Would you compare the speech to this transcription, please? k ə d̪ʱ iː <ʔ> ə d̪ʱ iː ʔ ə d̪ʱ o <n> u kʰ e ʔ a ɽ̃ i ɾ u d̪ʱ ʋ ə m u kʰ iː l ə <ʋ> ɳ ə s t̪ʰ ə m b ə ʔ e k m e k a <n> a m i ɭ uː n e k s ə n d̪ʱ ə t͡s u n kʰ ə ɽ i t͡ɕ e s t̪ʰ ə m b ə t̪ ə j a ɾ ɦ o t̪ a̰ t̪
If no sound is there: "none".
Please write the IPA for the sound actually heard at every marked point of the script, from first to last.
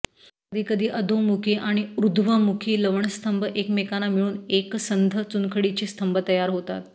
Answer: k, m, ʋ, n

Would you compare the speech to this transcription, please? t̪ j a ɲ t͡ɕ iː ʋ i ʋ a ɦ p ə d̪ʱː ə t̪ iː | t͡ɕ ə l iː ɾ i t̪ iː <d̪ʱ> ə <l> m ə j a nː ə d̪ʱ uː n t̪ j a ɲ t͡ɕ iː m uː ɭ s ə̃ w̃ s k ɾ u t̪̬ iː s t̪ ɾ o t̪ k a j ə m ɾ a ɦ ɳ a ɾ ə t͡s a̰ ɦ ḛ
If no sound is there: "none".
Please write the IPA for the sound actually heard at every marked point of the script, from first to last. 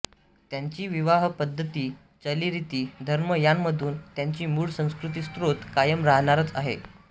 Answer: d̪ʱ, ɾ

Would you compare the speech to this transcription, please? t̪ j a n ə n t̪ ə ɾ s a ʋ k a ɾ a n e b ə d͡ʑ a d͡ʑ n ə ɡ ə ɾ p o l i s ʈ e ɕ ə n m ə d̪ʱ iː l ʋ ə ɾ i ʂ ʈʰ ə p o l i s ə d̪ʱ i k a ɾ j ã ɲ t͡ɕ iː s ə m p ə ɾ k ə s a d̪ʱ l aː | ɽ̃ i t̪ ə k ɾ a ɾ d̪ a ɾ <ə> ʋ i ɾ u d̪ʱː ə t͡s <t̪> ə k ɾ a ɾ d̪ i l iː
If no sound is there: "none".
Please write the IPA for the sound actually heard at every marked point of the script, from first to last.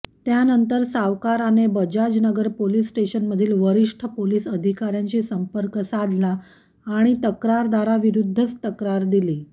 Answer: a, t̪

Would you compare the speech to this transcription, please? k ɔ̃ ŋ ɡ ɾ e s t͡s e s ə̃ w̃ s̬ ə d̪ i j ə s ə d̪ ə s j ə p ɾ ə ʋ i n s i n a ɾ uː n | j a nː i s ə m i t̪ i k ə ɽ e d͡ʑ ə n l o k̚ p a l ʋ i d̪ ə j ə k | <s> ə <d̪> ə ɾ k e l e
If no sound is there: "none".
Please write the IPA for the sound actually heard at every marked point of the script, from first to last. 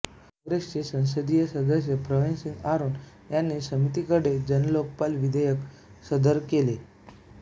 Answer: s, d̪

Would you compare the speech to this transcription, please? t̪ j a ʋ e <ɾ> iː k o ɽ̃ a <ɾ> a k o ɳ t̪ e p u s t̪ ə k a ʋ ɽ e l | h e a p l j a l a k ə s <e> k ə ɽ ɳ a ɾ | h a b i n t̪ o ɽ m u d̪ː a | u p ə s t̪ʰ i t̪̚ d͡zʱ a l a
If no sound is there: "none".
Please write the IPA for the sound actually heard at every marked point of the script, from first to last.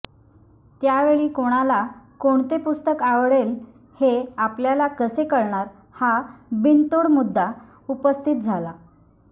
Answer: ɭ, l, e

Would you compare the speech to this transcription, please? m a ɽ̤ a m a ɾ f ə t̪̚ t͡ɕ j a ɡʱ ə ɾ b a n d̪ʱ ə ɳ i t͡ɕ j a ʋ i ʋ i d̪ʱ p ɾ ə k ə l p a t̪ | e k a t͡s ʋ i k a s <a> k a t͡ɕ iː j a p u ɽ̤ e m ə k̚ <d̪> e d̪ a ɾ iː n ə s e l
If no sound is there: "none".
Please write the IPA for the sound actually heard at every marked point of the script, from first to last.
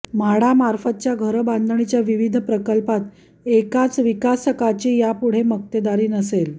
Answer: ə, t̪

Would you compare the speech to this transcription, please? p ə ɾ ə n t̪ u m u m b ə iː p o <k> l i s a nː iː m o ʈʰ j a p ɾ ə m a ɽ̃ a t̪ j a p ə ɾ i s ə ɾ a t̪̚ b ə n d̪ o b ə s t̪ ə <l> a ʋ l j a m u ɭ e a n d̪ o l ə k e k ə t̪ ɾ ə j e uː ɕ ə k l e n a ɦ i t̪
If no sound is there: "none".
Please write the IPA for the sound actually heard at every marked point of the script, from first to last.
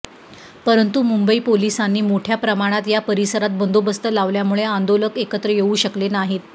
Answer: none, l

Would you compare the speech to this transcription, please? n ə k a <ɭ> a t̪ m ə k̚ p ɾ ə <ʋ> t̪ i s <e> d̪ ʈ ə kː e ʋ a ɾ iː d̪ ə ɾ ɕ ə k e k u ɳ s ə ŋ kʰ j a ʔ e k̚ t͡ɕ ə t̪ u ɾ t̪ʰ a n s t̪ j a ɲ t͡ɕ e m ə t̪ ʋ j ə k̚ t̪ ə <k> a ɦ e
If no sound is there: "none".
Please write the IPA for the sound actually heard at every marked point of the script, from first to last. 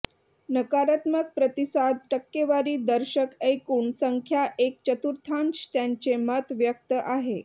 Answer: ɾ, none, a, ʔ

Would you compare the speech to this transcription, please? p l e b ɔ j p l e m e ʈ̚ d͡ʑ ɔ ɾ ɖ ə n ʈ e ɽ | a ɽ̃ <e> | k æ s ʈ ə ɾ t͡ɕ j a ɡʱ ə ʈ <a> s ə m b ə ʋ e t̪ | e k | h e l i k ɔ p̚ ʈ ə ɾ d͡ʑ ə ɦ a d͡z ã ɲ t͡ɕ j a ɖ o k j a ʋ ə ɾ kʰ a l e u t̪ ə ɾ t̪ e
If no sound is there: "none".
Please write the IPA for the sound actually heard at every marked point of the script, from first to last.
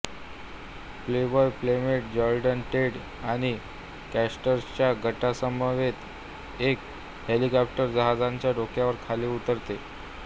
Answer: i, a

